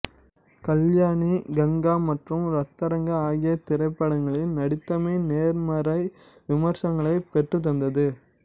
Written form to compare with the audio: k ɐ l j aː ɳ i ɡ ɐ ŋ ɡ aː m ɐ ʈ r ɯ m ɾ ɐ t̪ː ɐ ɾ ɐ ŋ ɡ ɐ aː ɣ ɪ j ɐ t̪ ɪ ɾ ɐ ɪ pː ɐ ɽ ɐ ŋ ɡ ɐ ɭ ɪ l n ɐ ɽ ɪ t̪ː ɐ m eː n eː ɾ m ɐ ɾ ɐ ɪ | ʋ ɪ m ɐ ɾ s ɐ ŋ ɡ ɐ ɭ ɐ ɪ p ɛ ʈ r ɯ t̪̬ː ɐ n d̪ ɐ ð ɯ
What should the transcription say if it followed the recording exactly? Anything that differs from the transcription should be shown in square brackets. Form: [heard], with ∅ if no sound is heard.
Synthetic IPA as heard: k ɐ l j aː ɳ i ɡ ɐ ŋ ɡ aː m ɐ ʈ r ɯ m ɾ ɐ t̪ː ɐ ɾ ɐ ŋ ɡ ɐ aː ɣ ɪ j ɐ t̪ ɪ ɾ ɐ ɪ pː ɐ ɽ ɐ ŋ ɡ ɐ ɭ ɪ l n ɐ ɽ ɪ t̪ː ɐ m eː n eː ɾ m ɐ ɾ ɐ ɪ | ʋ ɪ m ɐ ɾ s ɐ ŋ ɡ ɐ ɭ ɐ ɪ p ɛ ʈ r ɯ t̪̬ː ɐ n d̪ ɐ ð ɯ

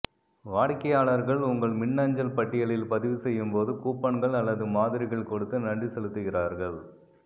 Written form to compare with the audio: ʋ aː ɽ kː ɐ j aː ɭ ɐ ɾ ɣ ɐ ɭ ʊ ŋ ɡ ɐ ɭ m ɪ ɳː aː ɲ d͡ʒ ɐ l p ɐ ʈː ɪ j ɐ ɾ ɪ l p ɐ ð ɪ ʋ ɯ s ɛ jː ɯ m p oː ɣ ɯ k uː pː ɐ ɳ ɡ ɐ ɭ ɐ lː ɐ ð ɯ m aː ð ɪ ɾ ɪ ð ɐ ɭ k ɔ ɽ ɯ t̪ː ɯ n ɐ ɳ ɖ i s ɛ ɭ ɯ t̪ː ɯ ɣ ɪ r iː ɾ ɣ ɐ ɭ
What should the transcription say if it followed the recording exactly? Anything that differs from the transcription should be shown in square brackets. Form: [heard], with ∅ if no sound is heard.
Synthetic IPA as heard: ʋ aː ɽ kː ɐ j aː ɭ ɐ ɾ ɣ ɐ ɭ ʊ ŋ ɡ ɐ ɭ m ɪ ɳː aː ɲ d͡ʒ ɐ l p ɐ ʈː ɪ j ɐ [ɭ] ɪ l p ɐ ð ɪ ʋ ɯ s ɛ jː ɯ m p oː [ð] ɯ k uː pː ɐ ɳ ɡ ɐ ɭ ɐ lː ɐ ð ɯ m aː ð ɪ ɾ ɪ [ɣ] ɐ ɭ k ɔ ɽ ɯ t̪ː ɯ n ɐ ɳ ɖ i s ɛ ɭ ɯ t̪ː ɯ ɣ ɪ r [aː] ɾ ɣ ɐ ɭ

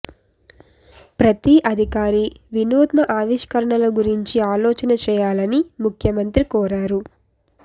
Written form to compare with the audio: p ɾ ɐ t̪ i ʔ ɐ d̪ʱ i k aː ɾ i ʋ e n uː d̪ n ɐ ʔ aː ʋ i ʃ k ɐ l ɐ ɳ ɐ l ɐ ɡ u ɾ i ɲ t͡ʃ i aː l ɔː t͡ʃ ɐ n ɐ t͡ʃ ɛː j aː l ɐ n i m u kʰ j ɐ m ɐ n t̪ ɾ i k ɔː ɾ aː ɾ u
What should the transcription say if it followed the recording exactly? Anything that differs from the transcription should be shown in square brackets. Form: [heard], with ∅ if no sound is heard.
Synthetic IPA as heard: p ɾ ɐ t̪ i ʔ ɐ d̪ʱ i k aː ɾ i ʋ [i] n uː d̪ n ɐ ʔ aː ʋ i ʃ k ɐ [ɾ] ɐ ɳ ɐ l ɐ ɡ u ɾ i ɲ t͡ʃ i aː l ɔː t͡ʃ ɐ n ɐ t͡ʃ ɛː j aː l ɐ n i m u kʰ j ɐ m ɐ n t̪ ɾ i k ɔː ɾ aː ɾ u

